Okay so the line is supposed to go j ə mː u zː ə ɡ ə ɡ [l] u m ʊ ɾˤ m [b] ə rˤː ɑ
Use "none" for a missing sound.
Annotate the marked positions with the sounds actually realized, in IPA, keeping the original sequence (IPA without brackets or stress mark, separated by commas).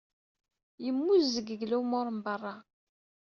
l, b